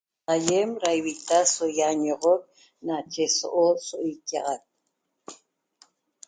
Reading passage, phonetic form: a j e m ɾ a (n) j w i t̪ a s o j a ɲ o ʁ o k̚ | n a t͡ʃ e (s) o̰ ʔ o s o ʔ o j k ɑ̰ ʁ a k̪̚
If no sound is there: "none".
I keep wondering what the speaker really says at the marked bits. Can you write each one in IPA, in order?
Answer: none, s

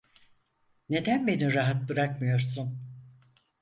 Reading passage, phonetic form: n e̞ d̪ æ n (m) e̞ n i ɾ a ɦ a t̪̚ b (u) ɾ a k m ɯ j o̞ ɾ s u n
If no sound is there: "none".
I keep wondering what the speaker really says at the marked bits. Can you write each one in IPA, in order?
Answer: b, ɯ

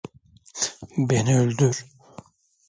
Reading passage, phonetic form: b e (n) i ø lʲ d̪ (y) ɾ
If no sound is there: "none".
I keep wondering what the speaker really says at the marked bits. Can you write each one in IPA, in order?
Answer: n, y

